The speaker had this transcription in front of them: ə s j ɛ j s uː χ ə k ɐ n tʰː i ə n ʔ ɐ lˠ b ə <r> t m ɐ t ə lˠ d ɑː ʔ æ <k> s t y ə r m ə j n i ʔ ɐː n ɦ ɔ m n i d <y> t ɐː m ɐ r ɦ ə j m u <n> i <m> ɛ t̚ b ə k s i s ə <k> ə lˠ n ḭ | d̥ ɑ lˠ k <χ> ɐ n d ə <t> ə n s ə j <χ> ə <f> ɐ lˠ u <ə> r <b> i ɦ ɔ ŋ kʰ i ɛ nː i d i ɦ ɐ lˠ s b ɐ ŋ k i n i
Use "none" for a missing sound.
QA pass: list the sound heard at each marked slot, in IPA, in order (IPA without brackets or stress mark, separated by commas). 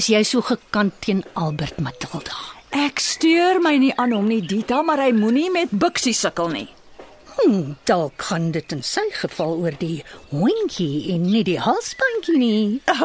r, k, i, n, m, k, χ, t, χ, f, ə, d